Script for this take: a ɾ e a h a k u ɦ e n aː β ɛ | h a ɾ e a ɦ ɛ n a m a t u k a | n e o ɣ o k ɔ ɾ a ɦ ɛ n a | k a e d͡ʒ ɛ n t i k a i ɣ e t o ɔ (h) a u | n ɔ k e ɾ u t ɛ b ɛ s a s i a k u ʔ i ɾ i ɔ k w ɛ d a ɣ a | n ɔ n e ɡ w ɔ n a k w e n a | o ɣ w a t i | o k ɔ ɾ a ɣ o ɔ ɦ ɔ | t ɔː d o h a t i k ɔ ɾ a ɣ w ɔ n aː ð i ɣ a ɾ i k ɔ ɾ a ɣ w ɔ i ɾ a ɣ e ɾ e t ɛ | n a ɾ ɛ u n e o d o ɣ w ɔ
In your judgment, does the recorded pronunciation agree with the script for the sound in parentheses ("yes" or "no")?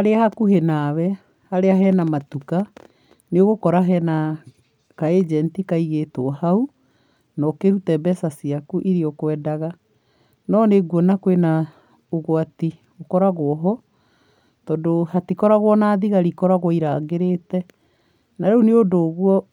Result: yes